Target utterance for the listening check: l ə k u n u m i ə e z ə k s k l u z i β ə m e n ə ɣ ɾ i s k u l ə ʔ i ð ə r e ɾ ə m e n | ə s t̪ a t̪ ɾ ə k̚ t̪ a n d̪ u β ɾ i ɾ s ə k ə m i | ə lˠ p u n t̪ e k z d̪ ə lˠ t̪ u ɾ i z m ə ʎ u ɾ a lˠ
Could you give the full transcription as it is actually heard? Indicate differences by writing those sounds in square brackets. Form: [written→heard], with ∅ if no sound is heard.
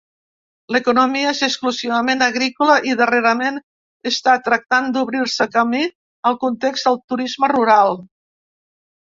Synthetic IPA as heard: l ə k u n u m i ə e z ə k s k l u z i β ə m e n ə ɣ ɾ i [s→∅] k u l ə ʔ i ð ə r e ɾ ə m e n | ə s t̪ a t̪ ɾ ə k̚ t̪ a n d̪ u β ɾ i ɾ s ə k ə m i | ə lˠ [p→k] u n t̪ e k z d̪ ə lˠ t̪ u ɾ i z m ə [ʎ→r] u ɾ a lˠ